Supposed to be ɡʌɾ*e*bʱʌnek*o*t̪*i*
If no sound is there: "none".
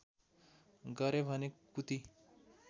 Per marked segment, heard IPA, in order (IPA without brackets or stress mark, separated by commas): e, u, i